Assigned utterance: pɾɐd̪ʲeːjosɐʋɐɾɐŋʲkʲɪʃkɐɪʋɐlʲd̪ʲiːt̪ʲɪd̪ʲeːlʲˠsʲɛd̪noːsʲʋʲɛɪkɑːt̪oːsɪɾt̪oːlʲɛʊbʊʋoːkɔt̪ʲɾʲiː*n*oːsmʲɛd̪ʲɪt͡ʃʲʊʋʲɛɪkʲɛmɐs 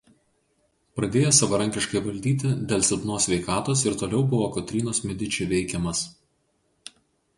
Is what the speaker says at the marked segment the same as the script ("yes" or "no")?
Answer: yes